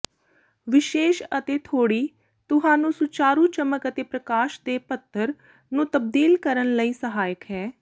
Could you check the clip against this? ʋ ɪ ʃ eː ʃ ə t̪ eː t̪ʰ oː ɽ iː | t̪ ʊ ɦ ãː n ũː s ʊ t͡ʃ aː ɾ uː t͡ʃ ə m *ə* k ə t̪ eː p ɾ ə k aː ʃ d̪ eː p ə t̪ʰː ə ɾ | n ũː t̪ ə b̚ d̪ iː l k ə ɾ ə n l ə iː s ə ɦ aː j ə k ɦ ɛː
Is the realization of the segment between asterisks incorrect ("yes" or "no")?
no